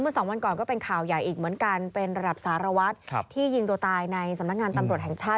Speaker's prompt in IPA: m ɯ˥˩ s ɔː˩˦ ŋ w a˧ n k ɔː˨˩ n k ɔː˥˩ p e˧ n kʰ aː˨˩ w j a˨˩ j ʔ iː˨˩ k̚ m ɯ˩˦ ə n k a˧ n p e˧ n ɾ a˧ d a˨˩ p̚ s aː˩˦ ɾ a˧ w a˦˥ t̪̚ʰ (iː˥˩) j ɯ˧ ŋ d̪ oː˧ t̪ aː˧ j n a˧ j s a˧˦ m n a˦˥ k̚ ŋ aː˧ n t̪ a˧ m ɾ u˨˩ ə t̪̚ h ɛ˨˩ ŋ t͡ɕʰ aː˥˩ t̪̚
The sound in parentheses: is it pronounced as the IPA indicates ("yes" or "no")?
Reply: yes